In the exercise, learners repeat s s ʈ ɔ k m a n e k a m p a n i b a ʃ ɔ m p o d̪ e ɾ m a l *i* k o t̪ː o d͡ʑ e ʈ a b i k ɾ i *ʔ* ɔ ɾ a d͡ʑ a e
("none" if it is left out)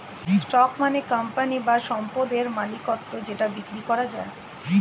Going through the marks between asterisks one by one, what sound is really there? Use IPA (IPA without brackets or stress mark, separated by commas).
i, k